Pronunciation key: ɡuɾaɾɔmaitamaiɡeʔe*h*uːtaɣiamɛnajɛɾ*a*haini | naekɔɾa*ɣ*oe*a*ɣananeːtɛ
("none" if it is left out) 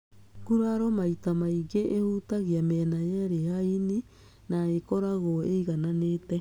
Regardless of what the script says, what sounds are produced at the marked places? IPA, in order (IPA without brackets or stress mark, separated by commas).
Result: h, e, ɣ, i